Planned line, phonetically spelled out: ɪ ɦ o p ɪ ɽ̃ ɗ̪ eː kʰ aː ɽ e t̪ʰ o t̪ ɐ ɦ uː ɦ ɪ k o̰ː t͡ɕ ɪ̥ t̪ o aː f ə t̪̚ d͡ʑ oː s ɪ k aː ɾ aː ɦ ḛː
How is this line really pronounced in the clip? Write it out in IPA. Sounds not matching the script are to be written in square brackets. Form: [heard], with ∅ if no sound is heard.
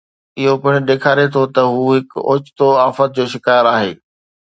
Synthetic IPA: ɪ ɦ o p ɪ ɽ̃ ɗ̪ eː kʰ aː [ɾ] e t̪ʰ o t̪ ɐ ɦ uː ɦ ɪ k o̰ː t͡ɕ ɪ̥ t̪ o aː f ə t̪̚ d͡ʑ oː [ʃ] ɪ k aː ɾ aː ɦ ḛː